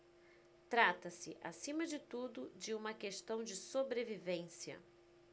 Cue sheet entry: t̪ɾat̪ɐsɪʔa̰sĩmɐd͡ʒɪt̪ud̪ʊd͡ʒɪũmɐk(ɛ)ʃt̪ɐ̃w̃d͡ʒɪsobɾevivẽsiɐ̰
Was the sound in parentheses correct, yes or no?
no